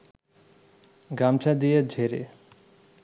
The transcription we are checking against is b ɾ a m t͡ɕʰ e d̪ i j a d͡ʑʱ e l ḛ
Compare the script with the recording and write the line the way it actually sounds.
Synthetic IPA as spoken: ɡ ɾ a m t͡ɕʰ a d̪ i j e d͡ʑʱ e ɾ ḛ